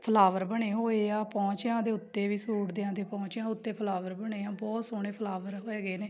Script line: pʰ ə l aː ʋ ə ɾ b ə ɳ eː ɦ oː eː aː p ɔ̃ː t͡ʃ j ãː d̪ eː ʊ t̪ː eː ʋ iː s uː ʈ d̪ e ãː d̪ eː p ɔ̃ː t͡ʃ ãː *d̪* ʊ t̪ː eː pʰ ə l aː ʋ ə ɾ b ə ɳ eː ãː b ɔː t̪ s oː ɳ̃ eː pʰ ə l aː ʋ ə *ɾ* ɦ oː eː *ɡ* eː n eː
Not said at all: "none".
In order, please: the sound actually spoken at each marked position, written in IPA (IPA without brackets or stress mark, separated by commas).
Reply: none, ɾ, ɡ